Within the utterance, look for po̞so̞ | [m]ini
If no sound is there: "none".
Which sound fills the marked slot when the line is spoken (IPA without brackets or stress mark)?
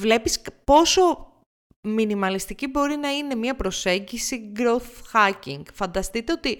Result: m